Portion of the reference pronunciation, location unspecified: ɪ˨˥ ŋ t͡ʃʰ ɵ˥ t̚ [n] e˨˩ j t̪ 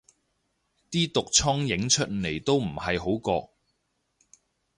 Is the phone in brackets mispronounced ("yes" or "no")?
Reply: no